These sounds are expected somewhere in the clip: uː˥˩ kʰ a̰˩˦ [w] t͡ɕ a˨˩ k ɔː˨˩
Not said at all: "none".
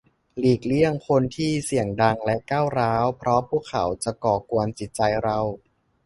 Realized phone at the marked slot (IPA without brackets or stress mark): w